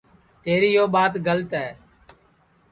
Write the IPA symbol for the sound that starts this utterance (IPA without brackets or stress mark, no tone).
t̪